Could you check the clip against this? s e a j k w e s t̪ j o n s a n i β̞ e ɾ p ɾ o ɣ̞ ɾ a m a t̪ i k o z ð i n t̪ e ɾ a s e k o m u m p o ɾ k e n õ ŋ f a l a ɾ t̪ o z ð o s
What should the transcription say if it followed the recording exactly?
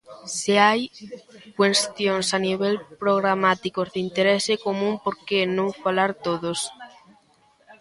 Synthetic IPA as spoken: s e a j k w e s t̪ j o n s a n i β̞ e l p ɾ o ɣ̞ ɾ a m a t̪ i k o z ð i n t̪ e ɾ e s e k o m ũ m p o ɾ k e n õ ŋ f a l a ɾ t̪ o ð o s